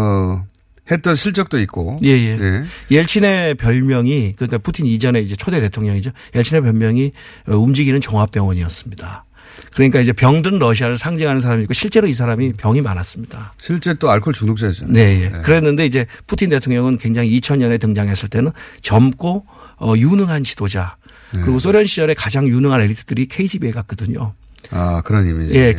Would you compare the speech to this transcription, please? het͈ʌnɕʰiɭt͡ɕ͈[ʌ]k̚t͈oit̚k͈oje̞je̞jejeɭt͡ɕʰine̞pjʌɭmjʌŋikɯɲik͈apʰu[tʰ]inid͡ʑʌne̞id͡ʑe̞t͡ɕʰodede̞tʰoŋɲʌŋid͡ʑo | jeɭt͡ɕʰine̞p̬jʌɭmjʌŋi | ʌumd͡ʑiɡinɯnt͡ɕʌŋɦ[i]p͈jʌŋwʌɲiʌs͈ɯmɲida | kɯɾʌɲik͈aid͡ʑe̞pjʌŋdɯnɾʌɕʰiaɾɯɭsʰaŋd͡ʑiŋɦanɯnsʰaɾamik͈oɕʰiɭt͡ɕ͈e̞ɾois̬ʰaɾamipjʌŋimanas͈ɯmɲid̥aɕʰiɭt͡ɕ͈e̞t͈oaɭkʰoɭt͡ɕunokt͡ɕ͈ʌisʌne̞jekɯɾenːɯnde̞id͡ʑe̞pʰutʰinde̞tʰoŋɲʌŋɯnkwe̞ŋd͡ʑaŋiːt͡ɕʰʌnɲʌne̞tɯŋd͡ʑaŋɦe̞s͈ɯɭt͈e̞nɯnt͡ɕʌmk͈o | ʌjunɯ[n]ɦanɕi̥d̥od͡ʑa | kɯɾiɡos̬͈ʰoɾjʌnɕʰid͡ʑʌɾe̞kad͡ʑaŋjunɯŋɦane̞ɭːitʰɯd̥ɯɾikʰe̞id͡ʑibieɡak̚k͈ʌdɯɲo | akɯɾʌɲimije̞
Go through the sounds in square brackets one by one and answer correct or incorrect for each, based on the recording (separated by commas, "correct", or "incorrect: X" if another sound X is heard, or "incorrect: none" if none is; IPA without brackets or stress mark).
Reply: correct, correct, incorrect: a, incorrect: ŋ